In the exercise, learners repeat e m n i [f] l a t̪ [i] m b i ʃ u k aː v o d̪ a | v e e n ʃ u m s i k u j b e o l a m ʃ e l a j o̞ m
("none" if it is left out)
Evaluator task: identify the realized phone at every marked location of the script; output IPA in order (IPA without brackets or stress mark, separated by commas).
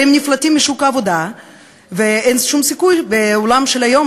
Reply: f, i